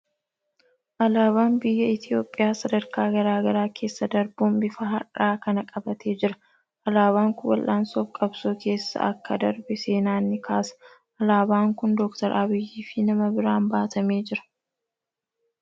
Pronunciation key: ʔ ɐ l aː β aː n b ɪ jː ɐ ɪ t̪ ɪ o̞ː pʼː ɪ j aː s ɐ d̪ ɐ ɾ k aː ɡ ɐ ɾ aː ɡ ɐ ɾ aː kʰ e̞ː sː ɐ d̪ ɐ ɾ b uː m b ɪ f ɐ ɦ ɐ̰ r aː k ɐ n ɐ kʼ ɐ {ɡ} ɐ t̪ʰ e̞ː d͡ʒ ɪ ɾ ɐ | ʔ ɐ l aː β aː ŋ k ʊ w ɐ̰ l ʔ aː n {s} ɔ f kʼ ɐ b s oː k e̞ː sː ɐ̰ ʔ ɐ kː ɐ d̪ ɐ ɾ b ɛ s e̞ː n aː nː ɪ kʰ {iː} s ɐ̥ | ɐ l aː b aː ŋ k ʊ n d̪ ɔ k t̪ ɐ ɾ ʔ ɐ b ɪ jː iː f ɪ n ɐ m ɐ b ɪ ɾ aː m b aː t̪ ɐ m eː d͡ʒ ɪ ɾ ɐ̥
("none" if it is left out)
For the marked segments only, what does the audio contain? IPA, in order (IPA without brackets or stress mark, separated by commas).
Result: b, s, aː